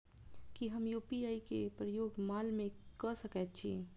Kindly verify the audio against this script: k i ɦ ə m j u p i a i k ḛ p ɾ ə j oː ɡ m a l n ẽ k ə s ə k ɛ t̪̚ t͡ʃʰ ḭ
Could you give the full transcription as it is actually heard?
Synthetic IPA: k i ɦ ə m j u p i a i k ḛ p ɾ ə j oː ɡ m a l m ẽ k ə s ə k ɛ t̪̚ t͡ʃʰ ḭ